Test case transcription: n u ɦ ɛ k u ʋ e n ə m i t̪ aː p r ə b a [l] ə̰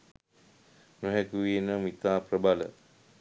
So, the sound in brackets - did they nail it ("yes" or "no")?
yes